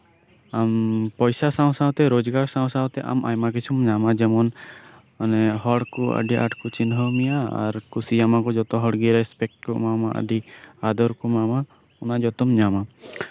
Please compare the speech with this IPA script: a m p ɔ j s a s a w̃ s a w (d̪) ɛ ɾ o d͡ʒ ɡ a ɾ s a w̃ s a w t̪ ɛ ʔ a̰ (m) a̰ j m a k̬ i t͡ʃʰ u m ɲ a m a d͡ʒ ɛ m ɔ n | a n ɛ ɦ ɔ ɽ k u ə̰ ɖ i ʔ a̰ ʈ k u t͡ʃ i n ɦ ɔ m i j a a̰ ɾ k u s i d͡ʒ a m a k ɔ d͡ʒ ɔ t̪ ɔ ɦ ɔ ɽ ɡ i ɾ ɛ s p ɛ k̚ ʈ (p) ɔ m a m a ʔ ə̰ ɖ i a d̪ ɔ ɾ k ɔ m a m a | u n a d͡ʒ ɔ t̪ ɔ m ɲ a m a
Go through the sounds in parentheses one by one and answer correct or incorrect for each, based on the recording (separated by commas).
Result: incorrect, correct, incorrect